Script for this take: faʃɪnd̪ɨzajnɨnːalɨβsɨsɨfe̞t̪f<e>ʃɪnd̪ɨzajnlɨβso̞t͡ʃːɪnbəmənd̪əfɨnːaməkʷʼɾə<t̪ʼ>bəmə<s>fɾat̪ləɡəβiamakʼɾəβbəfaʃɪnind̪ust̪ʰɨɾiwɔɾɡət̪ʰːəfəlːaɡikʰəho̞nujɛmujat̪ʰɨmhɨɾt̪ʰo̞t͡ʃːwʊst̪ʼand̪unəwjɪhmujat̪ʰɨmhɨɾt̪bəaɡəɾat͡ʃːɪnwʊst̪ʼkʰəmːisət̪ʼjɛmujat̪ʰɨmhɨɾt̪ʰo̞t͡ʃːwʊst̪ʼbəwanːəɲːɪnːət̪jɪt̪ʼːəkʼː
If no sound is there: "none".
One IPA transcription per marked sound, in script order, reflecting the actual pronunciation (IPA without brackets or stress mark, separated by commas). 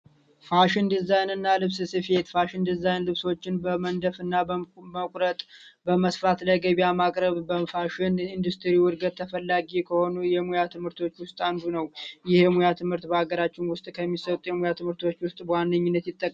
a, t̪ʼ, s